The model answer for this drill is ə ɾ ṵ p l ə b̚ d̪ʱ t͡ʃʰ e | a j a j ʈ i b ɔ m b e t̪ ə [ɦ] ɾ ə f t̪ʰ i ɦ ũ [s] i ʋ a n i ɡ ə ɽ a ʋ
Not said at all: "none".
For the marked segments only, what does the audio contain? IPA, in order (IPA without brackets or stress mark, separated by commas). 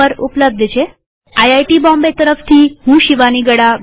none, ʃ